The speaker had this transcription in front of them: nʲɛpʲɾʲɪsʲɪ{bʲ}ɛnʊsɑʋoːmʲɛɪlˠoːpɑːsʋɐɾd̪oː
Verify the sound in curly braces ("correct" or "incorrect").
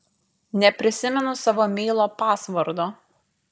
incorrect